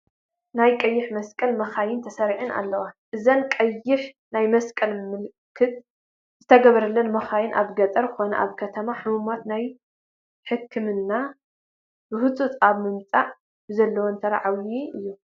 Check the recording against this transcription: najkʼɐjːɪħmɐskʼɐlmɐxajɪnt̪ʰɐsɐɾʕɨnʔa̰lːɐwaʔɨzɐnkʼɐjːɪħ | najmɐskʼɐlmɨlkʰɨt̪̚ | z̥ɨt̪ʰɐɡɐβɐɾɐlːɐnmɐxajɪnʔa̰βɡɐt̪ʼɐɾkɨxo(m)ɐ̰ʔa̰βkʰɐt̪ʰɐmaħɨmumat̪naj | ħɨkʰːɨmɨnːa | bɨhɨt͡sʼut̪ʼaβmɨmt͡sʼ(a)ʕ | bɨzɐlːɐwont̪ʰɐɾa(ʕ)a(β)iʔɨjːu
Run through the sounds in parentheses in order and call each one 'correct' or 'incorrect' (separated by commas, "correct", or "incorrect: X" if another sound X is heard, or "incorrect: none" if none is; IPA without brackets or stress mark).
incorrect: n, correct, correct, incorrect: w